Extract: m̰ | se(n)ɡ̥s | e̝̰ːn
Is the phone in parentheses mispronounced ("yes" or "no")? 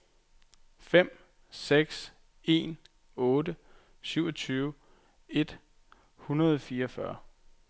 yes